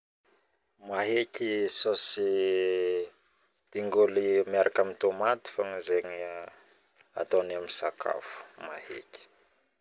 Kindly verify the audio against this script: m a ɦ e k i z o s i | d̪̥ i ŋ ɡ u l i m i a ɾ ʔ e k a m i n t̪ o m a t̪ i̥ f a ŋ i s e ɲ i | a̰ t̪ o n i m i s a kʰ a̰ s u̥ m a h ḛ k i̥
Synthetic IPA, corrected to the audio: m a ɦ e k i s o s i | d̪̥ i ŋ ɡ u l i m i a ɾ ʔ a k a m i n t̪ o m a t̪ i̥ f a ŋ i z e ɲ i | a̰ t̪ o n a m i s a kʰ a̰ f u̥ m a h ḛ k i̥